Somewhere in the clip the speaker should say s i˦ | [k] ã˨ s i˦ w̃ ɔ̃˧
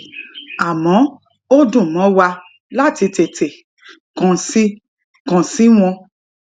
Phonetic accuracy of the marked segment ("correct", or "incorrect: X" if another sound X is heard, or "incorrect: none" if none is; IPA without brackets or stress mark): correct